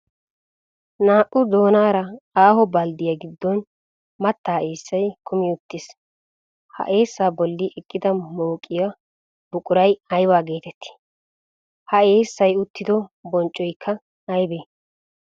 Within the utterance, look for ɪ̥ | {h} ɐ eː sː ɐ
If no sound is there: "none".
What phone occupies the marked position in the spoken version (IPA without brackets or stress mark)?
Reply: h